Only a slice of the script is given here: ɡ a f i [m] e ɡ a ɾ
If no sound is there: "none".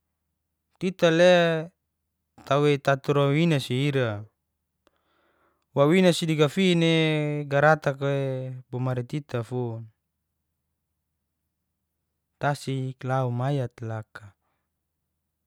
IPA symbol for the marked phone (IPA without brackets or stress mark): n